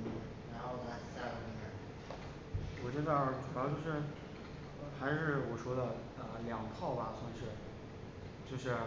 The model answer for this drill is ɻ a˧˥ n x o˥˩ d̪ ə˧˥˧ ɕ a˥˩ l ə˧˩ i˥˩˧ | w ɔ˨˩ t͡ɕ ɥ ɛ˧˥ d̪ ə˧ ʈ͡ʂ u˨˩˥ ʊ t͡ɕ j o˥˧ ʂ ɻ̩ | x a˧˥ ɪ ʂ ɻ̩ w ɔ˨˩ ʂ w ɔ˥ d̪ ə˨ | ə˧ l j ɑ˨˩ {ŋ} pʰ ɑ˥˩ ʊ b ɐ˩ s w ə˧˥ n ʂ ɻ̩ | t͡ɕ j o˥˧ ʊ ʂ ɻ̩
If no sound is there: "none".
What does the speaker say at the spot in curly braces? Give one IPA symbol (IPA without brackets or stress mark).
ŋ